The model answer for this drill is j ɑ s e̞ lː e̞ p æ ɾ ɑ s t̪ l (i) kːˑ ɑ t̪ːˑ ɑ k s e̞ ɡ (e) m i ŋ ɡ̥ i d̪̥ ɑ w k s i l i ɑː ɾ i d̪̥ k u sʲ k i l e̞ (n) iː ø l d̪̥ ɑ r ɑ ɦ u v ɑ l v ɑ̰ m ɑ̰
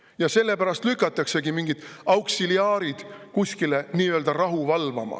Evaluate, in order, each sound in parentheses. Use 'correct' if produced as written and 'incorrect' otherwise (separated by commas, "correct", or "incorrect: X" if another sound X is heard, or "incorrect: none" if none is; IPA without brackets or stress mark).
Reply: incorrect: y, incorrect: i, correct